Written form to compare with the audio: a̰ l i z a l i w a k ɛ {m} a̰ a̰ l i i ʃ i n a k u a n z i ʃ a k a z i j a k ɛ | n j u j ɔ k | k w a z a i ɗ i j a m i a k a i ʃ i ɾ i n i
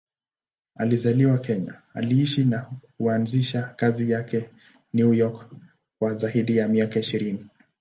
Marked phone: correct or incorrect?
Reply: incorrect